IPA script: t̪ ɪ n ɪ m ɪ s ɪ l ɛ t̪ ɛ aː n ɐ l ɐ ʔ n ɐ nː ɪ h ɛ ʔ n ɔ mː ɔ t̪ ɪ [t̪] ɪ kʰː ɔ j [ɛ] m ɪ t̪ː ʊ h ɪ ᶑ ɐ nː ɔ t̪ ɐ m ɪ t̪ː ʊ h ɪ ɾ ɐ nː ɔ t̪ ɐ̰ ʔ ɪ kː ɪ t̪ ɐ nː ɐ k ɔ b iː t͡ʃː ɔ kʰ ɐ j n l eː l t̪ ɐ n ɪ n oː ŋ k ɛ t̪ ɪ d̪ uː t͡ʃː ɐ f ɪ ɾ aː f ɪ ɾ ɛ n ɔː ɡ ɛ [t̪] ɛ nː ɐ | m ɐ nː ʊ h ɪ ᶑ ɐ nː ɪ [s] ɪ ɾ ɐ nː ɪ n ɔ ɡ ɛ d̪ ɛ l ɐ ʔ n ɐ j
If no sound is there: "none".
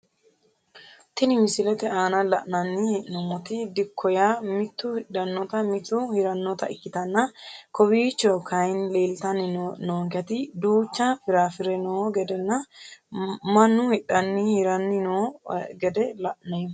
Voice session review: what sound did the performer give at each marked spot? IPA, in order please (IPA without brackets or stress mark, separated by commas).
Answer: d̪, a, d̪, h